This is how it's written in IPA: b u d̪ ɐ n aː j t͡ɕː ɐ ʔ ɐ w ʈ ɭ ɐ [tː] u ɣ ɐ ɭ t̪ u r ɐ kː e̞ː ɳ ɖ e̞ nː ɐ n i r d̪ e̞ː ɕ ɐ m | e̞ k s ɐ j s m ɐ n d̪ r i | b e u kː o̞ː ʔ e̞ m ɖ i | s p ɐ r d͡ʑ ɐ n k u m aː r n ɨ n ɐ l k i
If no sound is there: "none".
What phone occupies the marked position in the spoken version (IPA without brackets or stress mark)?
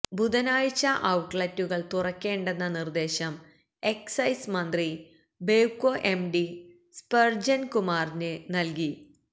tː